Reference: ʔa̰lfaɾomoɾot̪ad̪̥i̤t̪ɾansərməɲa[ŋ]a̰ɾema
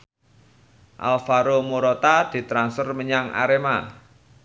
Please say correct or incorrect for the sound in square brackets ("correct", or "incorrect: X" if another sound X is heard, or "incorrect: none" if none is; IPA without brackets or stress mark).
correct